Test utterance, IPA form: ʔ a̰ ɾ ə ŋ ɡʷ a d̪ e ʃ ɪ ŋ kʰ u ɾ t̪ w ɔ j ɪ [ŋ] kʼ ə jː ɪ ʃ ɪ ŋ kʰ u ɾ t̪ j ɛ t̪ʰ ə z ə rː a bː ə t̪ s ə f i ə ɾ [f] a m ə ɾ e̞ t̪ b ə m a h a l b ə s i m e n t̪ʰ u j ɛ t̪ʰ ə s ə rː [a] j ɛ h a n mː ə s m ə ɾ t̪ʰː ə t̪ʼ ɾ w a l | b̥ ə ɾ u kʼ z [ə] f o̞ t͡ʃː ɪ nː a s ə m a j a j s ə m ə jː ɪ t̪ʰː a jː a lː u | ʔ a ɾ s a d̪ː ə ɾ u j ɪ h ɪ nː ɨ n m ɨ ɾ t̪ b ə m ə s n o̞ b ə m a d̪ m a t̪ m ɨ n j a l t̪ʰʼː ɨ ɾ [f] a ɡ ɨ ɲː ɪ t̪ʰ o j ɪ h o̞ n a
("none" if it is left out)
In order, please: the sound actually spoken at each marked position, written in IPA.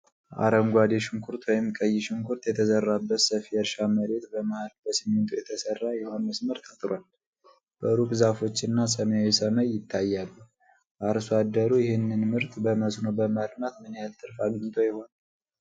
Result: m, ʃ, a, a, f

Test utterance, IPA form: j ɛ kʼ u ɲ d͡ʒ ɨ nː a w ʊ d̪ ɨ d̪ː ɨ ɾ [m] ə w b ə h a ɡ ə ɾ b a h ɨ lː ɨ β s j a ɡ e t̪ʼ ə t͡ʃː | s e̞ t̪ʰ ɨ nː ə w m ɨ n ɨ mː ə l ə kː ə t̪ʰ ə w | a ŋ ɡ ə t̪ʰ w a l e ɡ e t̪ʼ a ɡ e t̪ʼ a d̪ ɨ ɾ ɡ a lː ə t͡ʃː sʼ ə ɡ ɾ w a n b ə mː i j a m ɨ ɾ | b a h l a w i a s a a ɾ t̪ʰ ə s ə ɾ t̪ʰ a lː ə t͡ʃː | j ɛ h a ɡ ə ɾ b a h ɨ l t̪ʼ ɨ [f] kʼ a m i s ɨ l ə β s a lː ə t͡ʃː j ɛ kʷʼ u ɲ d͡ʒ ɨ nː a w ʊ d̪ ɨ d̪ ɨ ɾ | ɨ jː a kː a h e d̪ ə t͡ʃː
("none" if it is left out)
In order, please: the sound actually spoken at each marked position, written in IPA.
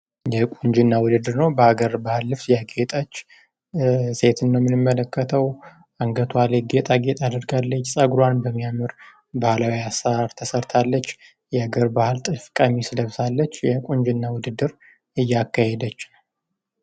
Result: n, f

